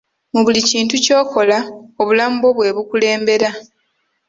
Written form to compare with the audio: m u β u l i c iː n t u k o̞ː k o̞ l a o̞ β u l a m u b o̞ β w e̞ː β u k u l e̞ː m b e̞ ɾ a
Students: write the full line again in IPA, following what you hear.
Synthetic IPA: m u β u l i c iː n t u c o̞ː k o̞ l a o̞ β u l a m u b o̞ β w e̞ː β u k u l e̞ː m b e̞ ɾ a